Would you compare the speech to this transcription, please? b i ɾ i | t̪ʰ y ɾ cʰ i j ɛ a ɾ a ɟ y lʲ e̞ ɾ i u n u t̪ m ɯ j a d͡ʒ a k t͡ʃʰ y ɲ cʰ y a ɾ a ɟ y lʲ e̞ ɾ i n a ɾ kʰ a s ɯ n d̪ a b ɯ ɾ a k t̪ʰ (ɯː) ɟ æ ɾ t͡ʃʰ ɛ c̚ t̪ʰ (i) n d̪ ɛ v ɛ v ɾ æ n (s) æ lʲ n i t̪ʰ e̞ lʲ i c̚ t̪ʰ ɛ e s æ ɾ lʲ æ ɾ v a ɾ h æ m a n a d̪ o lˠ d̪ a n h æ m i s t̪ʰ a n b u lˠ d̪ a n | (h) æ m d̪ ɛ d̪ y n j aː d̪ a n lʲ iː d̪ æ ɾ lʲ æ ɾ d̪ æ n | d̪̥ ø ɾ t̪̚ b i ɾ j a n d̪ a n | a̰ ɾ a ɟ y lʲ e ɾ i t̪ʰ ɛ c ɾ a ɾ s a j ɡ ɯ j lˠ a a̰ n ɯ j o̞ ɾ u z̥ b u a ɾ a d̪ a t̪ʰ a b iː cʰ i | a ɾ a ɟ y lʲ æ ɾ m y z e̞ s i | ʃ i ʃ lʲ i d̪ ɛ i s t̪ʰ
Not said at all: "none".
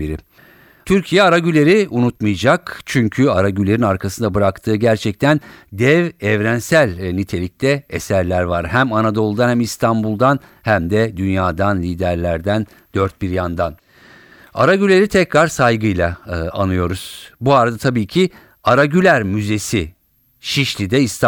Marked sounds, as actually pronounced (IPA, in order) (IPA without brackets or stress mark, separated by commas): ɯː, æ, s, h